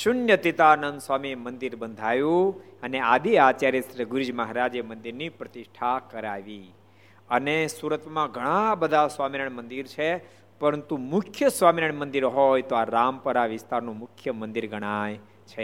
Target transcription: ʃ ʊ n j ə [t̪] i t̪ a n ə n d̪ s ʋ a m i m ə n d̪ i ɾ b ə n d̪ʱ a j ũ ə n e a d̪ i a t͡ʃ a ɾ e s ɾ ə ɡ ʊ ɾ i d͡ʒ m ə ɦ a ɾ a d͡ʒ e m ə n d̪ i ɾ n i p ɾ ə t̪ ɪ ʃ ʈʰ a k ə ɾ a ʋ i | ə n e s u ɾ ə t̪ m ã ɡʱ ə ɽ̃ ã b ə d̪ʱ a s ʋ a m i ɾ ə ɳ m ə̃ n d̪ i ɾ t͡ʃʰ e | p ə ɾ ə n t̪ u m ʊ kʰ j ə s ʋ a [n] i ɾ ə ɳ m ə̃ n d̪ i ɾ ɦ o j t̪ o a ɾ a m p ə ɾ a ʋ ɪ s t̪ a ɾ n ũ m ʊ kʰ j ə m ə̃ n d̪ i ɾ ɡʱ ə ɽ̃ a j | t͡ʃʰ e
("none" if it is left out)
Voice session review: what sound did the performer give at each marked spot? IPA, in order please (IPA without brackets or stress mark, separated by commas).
t̪, m